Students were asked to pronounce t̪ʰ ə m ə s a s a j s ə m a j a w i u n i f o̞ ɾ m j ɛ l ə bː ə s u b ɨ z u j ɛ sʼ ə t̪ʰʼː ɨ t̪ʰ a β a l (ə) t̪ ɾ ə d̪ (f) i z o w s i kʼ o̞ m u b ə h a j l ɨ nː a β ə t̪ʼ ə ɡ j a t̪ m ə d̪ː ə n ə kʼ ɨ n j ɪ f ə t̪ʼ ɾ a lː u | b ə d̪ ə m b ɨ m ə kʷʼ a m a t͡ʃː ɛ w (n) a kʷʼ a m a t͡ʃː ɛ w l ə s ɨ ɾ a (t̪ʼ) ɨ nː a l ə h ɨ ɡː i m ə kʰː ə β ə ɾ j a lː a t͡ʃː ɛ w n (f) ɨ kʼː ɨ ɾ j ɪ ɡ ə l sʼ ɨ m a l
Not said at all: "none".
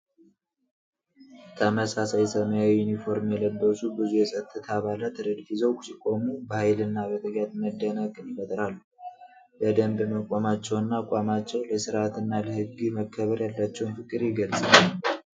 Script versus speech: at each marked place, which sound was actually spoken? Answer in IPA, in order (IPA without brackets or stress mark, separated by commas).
a, f, nː, t̪, f